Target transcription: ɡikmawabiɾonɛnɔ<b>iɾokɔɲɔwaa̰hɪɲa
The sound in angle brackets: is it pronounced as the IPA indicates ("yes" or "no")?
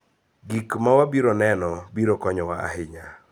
yes